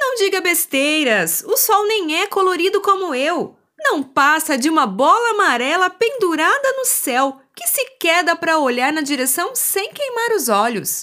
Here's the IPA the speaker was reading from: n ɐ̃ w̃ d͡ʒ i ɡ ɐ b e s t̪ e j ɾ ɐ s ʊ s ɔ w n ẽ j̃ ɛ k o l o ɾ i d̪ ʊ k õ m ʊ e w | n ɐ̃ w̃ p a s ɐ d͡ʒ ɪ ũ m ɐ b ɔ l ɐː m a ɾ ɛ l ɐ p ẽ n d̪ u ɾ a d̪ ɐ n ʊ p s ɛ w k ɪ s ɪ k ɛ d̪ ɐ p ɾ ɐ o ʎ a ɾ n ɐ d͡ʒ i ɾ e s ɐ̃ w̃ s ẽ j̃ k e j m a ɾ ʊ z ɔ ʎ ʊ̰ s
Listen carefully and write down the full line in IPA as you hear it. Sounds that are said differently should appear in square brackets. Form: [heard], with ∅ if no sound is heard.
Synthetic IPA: n ɐ̃ w̃ d͡ʒ i ɡ ɐ b e s t̪ e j ɾ ɐ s ʊ s ɔ w n ẽ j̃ ɛ k o l o ɾ i d̪ ʊ k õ m ʊ e w | n ɐ̃ w̃ p a s ɐ d͡ʒ ɪ ũ m ɐ b ɔ l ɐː m a ɾ ɛ l ɐ p ẽ n d̪ u ɾ a d̪ ɐ n ʊ [∅] s ɛ w k ɪ s ɪ k ɛ d̪ ɐ p ɾ ɐ o ʎ a ɾ n ɐ d͡ʒ i ɾ e s ɐ̃ w̃ s ẽ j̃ k e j m a ɾ ʊ z ɔ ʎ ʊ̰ s